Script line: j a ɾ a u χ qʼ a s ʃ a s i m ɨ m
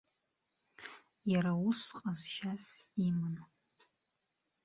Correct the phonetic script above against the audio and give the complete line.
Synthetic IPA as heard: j a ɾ a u s qʼ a z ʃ a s i m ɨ n